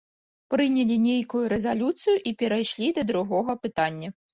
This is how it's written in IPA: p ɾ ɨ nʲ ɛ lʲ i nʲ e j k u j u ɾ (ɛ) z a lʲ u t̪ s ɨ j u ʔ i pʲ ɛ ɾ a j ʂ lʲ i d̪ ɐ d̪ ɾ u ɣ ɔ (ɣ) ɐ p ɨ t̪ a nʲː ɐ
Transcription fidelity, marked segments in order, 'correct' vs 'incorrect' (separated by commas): correct, correct